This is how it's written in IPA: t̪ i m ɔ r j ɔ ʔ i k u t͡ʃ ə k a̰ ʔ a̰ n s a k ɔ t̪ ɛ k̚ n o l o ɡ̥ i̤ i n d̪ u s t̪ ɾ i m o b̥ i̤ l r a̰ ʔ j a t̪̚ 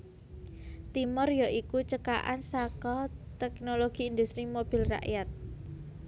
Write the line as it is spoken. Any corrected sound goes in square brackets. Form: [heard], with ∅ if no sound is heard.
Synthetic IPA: t̪ i m ɔ r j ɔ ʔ i k u t͡ʃ ə k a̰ ʔ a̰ n s a k ɔ t̪ ɛ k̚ n o l o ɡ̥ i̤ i n d̪ u s t̪ ɾ i m o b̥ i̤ l r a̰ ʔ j a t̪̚